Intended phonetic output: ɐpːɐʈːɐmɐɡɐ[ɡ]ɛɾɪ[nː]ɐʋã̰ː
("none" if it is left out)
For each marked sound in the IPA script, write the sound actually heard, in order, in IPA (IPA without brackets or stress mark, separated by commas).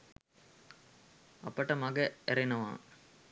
none, n